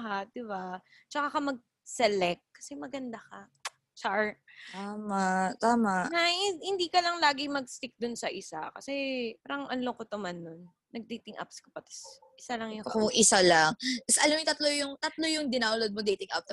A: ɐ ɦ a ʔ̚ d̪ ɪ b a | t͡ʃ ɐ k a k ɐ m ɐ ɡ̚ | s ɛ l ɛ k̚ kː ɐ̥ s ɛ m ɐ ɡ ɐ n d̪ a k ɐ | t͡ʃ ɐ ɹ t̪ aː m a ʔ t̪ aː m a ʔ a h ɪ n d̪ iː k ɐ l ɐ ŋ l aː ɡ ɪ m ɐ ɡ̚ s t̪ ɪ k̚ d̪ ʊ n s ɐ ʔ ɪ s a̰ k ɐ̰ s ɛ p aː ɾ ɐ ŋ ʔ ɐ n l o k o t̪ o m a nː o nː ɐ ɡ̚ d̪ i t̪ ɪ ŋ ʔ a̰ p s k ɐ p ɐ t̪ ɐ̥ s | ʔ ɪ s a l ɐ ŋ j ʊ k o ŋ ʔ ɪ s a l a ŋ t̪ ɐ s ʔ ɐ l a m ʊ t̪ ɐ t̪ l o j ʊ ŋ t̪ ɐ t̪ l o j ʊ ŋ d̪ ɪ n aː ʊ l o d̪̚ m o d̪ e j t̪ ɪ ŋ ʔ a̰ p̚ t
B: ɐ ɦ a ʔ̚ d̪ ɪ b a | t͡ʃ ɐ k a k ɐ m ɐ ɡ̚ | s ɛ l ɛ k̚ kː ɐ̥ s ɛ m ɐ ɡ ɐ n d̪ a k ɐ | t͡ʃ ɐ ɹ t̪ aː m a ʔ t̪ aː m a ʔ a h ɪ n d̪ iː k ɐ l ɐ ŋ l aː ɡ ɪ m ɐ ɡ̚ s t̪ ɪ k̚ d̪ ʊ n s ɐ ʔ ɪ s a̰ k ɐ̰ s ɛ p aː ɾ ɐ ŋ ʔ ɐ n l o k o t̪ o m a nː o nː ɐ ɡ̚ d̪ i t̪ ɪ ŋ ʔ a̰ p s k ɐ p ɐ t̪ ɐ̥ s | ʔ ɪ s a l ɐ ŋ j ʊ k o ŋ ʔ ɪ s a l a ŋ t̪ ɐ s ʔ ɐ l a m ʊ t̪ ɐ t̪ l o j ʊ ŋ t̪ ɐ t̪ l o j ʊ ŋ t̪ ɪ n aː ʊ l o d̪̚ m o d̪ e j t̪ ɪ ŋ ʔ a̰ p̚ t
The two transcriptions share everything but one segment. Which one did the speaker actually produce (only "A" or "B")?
A